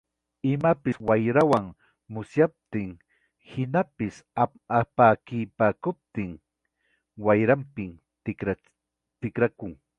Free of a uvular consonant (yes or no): yes